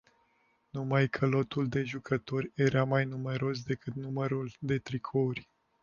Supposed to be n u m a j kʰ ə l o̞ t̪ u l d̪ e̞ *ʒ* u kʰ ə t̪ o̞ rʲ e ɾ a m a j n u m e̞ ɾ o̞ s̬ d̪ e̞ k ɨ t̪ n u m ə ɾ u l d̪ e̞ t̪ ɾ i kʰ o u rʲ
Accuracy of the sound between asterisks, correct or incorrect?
correct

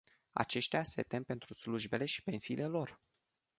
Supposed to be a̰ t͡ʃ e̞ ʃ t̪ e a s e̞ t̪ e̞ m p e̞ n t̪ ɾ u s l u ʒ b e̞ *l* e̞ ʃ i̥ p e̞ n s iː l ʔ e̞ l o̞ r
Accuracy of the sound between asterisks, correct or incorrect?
correct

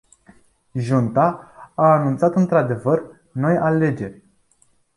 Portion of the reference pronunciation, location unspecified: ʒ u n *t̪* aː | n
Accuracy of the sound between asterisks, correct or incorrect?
correct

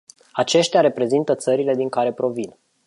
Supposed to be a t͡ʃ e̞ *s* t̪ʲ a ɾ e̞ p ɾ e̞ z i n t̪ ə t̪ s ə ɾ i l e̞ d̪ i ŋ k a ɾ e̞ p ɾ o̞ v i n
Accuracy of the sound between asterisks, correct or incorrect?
incorrect: ʃ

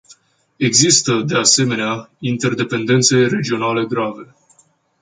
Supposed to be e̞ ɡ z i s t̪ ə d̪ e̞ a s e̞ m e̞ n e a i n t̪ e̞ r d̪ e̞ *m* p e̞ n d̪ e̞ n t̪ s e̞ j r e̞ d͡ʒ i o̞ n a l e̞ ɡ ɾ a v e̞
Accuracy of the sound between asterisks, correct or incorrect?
incorrect: none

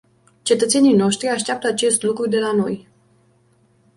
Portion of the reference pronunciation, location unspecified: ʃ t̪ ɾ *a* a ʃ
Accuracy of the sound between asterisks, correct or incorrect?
incorrect: i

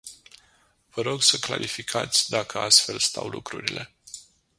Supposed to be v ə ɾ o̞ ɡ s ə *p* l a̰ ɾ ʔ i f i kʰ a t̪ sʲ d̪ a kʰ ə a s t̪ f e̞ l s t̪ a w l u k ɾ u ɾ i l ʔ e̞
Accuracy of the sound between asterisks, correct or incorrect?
incorrect: k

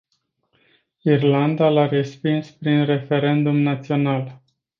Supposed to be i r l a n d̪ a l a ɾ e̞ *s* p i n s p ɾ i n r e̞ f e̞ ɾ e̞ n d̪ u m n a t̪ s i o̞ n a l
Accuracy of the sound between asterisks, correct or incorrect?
correct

